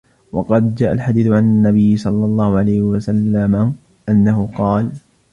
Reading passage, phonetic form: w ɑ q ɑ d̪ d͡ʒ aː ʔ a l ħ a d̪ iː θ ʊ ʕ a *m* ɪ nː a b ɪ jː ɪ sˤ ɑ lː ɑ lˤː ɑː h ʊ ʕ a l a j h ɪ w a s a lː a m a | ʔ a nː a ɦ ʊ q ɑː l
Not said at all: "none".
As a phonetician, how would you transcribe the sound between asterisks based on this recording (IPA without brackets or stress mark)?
n